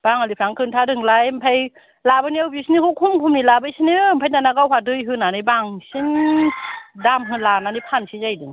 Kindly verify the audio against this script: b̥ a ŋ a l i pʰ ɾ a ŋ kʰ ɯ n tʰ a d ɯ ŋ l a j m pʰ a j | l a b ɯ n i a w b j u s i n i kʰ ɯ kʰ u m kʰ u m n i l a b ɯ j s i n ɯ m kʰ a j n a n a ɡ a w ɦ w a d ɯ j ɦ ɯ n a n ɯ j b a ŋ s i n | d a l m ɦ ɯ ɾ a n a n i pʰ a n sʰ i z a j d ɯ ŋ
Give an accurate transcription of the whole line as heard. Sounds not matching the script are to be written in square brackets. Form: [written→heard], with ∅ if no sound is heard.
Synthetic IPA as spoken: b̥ a ŋ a l i pʰ ɾ a ŋ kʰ ɯ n tʰ a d ɯ ŋ l a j m pʰ a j | l a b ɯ n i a w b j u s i n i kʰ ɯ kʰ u m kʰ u m n i l a b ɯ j s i n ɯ m [kʰ→pʰ] a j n a n a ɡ a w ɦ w a d ɯ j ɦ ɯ n a n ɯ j b a ŋ s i n | d a [l→∅] m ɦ ɯ [ɾ→l] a n a n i pʰ a n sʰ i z a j d ɯ ŋ